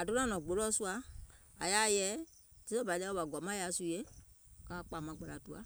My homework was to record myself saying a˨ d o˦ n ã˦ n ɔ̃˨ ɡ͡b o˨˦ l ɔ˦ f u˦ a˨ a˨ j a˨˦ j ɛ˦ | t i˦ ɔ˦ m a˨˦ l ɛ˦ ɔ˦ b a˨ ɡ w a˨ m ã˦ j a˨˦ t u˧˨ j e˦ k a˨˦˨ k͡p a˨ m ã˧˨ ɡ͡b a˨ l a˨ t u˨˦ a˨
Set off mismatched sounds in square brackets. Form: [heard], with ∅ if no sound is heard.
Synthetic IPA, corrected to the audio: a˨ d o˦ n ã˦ n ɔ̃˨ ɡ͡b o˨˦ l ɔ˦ [s] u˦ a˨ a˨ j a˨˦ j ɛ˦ | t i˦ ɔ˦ [b] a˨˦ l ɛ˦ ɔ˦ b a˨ ɡ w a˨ m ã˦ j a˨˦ [s] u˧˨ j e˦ k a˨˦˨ k͡p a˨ m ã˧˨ ɡ͡b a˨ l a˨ t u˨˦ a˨